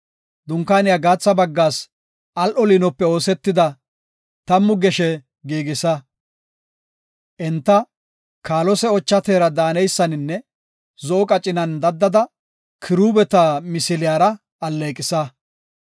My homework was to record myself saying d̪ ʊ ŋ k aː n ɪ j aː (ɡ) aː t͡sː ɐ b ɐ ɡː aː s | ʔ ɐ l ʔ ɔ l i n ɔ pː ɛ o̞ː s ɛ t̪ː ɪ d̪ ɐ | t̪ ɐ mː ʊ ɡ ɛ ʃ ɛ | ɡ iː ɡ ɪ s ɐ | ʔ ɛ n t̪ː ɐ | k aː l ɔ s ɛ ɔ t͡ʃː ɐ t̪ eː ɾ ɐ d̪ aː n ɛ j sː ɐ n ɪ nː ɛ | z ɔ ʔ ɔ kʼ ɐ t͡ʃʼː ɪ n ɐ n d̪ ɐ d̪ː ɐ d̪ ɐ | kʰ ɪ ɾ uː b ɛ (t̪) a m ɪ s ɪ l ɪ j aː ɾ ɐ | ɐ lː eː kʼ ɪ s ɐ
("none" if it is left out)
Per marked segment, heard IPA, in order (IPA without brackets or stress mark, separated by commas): ɡ, t̪